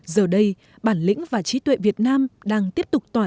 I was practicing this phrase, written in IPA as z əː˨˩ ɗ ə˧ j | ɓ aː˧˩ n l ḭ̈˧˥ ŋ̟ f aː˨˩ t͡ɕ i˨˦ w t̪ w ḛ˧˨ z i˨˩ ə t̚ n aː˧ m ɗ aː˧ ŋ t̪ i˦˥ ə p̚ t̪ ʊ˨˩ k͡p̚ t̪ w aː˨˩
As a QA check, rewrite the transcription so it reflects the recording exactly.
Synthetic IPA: z əː˨˩ ɗ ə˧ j | ɓ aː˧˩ n l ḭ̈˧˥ ŋ̟ v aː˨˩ t͡ɕ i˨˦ t̪ w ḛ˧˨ v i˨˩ ə t̚ n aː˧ m ɗ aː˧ ŋ t̪ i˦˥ ə p̚ t̪ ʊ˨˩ k͡p̚ t̪ w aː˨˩